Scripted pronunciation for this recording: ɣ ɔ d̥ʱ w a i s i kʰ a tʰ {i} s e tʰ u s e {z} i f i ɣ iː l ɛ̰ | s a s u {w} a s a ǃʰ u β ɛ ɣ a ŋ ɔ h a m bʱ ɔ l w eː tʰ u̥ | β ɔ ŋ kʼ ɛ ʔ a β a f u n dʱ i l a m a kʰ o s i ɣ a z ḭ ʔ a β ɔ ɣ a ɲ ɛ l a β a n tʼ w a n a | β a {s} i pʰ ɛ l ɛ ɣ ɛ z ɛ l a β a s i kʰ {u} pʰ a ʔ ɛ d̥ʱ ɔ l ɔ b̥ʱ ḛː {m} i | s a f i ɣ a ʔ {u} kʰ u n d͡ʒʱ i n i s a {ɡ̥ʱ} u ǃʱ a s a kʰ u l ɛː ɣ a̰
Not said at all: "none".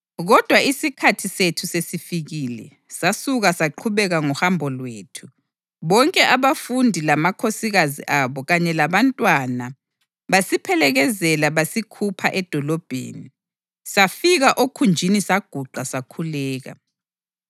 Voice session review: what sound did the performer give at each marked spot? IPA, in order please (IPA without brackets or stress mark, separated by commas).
i, s, ɣ, s, u, n, o, ɡ̥ʱ